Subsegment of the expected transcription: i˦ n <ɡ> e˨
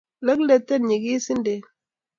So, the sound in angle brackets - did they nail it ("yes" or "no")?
no